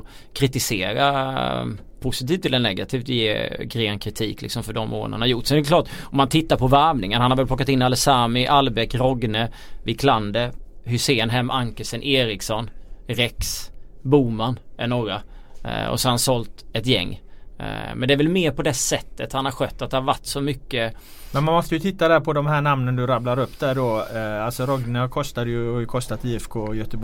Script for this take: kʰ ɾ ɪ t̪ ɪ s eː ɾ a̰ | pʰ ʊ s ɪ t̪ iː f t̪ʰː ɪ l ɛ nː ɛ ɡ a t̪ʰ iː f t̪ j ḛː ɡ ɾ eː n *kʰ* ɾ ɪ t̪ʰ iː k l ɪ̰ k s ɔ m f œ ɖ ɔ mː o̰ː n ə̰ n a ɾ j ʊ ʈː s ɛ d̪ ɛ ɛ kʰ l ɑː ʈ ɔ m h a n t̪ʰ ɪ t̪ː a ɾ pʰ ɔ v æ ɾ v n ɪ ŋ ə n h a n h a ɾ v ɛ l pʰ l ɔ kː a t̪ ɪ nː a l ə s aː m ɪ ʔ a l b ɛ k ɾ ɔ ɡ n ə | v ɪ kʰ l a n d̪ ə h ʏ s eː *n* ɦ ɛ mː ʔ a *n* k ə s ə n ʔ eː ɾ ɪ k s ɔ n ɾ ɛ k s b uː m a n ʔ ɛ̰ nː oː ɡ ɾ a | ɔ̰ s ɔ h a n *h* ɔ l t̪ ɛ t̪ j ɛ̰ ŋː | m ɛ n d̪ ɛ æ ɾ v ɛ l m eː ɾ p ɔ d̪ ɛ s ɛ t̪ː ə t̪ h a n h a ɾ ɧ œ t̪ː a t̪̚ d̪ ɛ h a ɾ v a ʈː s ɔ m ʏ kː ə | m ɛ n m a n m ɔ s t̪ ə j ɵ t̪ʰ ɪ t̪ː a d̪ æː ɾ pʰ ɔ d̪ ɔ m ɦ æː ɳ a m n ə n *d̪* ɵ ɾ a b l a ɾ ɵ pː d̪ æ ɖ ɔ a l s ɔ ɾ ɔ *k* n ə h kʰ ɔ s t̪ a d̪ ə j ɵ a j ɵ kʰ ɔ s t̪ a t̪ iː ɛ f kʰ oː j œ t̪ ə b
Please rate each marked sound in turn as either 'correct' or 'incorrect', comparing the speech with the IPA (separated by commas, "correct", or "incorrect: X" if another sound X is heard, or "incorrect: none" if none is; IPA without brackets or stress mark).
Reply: correct, correct, incorrect: ŋ, incorrect: s, correct, incorrect: ɡ